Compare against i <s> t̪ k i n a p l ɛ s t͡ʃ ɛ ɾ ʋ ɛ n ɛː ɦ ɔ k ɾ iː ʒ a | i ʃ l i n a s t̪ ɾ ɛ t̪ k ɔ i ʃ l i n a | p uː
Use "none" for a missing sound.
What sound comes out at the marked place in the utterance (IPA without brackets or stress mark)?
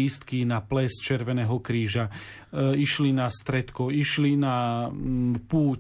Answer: s